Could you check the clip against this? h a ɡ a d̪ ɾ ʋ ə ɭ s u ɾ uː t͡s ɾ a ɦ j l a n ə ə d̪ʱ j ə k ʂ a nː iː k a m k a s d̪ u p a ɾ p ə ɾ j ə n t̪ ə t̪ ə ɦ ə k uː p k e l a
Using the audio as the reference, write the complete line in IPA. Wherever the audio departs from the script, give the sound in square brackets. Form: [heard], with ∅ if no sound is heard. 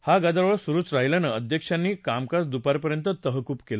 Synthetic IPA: h a ɡ a d̪ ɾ ʋ ə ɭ s u ɾ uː t͡s ɾ a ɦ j l a n ə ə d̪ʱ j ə k ʂ a nː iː k a m k a s d̪ u p a ɾ p ə ɾ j ə n t̪ ə t̪ ə ɦ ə k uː p k e l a